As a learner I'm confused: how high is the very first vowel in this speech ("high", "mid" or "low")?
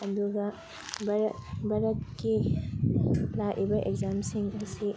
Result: low